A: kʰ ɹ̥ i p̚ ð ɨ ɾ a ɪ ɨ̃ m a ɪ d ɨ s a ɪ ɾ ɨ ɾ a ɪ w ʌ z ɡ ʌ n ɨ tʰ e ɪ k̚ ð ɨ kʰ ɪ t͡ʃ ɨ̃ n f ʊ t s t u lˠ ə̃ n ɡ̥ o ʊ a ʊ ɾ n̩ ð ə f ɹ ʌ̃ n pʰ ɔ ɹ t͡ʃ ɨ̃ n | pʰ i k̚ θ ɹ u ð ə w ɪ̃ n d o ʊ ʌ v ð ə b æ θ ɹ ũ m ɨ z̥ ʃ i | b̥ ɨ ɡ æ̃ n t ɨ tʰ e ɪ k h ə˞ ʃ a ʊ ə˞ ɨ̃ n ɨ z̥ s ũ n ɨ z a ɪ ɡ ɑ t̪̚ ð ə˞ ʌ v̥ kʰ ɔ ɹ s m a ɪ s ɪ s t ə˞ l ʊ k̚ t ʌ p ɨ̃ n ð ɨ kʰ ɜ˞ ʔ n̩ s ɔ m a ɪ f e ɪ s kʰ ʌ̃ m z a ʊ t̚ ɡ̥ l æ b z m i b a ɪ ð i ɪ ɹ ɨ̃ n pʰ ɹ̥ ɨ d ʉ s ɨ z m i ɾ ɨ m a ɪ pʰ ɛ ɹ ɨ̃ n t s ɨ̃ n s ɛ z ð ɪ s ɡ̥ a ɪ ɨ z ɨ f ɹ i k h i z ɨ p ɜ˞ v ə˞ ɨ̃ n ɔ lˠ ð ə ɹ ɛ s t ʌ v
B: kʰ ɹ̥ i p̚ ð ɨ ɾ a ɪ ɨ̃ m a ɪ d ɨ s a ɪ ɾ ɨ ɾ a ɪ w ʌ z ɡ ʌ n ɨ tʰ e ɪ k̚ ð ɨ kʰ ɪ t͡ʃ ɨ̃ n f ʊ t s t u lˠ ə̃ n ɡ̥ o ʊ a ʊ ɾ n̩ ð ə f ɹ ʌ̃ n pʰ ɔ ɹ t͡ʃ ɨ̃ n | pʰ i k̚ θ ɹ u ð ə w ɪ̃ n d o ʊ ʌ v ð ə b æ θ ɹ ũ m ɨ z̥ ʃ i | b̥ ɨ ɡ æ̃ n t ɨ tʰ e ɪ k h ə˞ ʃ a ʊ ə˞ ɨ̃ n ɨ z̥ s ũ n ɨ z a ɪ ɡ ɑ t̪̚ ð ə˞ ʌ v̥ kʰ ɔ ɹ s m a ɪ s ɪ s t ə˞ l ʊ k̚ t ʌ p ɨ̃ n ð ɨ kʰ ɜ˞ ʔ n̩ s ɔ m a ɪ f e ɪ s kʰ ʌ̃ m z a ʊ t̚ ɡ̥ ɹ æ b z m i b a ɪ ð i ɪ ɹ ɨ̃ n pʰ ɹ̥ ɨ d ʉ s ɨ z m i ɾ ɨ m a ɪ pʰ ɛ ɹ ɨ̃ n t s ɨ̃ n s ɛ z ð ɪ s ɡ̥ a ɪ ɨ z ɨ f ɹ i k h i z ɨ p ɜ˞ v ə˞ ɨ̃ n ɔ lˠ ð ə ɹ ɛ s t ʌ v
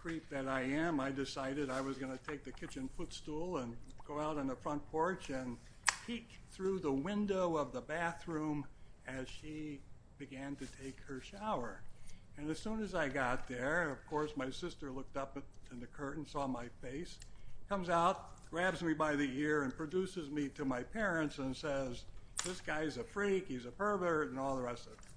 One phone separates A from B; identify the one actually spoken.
B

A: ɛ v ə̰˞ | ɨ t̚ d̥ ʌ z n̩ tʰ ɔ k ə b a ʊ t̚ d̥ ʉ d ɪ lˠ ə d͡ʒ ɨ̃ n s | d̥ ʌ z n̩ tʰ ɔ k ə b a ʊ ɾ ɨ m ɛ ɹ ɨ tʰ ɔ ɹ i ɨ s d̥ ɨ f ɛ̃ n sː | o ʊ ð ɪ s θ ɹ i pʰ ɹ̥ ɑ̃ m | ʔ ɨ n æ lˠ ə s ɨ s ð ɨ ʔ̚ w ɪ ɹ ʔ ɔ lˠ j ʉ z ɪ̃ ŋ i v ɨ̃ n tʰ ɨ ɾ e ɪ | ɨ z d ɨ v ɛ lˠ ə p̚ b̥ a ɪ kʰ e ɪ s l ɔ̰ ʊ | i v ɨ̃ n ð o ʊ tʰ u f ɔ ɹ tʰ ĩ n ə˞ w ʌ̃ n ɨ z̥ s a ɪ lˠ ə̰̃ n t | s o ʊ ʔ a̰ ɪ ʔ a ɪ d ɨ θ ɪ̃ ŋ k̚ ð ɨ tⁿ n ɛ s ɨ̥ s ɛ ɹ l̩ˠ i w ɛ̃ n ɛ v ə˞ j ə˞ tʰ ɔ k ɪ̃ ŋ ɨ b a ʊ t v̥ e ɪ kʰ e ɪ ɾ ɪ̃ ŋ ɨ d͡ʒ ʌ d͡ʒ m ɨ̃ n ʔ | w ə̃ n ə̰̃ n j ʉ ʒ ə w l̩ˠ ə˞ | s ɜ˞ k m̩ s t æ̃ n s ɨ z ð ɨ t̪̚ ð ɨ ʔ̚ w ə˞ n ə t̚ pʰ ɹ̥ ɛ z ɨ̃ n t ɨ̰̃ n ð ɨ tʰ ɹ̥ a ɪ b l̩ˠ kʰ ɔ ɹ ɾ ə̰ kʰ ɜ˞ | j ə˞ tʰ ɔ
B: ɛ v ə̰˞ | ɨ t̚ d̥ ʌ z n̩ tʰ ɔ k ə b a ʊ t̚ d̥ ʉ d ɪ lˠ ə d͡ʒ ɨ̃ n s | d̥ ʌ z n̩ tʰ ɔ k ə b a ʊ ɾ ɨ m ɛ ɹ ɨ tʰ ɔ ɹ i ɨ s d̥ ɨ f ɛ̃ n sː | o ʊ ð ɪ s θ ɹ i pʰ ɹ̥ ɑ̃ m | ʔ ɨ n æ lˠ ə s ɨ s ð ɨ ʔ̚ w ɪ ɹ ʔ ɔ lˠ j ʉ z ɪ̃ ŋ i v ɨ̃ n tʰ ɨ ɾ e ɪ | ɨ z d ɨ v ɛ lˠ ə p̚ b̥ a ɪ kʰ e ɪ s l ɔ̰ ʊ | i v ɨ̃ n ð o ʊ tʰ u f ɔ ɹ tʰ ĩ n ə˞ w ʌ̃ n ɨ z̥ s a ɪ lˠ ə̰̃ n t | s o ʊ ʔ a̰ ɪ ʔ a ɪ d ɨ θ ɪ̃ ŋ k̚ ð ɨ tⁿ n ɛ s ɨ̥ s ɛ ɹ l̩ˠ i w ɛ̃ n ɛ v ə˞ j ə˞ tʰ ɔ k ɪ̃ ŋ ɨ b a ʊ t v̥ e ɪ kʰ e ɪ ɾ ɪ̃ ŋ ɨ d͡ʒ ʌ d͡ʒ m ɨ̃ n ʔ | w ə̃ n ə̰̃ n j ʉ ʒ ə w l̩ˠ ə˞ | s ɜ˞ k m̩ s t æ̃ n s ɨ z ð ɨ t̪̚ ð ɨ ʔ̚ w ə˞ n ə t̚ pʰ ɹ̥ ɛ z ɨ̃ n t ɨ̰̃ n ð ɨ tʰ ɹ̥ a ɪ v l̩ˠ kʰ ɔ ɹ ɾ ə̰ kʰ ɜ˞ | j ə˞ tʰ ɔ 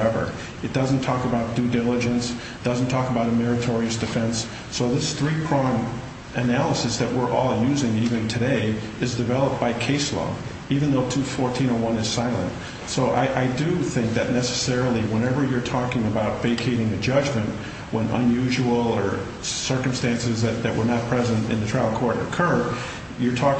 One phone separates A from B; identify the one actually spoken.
B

